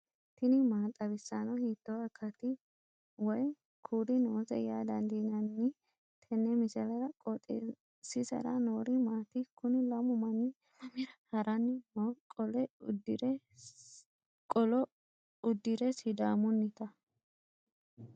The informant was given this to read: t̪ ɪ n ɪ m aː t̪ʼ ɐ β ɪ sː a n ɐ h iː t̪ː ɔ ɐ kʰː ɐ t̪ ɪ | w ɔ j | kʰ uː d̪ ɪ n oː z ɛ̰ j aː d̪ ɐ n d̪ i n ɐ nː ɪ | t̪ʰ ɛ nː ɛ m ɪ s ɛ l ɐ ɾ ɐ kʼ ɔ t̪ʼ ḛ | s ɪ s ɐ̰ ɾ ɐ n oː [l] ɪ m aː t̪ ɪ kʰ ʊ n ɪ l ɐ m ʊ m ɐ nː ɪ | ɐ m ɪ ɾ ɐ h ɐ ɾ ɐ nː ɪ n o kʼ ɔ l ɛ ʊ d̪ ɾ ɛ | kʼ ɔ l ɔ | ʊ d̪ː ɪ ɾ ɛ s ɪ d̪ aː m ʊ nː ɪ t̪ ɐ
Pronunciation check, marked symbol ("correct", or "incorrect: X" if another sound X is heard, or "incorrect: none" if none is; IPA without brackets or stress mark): incorrect: ɾ